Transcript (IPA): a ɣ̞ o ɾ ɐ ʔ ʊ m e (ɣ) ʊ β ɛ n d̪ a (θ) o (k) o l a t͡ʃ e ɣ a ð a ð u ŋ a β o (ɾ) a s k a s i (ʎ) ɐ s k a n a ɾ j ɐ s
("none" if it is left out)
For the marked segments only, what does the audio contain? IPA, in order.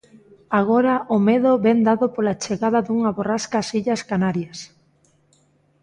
ð, ð, p, r, ʎ

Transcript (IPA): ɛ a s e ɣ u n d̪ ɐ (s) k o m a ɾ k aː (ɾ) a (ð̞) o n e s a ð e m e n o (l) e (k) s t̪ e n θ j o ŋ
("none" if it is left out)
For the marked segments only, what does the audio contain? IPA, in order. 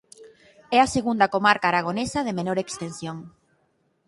none, ɾ, ɣ̞, ɾ, k

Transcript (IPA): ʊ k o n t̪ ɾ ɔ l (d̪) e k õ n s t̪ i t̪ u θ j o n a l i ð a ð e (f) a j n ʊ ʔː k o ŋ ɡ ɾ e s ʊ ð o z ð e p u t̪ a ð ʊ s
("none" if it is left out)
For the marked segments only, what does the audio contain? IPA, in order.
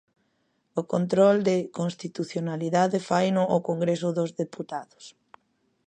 d̪, f

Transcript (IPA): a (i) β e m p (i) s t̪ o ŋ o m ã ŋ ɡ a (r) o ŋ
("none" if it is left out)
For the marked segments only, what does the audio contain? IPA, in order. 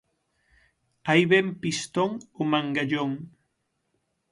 j, i, ʎ

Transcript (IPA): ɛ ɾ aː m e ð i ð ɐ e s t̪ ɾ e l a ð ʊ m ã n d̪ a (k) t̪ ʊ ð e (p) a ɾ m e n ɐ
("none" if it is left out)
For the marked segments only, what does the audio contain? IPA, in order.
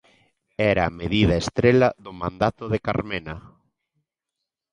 none, k

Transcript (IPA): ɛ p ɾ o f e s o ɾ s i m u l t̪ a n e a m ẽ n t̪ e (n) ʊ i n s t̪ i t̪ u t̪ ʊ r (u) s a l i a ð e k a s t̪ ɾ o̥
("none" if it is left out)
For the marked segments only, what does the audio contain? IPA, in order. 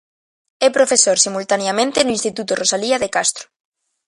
n, o

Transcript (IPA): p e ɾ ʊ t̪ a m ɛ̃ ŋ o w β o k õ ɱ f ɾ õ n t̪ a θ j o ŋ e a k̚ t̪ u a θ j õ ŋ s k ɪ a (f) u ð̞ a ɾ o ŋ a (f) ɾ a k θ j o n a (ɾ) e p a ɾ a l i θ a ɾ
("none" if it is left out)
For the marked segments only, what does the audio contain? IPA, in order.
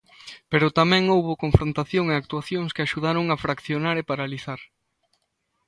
ʃ, f, ɾ

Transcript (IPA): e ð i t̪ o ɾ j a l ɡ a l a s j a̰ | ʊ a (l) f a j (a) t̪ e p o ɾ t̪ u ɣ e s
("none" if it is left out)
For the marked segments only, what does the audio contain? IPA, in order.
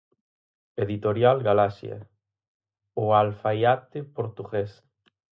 l, a

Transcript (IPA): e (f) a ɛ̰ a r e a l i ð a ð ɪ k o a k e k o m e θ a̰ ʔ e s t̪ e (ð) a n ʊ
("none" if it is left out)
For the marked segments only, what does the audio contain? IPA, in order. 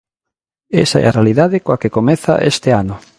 s, none

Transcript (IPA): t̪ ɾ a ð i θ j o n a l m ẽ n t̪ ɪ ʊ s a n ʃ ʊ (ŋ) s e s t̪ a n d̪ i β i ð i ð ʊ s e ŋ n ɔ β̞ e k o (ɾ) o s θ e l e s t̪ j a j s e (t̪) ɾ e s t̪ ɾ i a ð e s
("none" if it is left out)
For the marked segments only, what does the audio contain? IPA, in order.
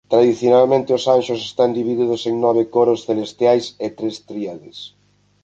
none, ɾ, t̪

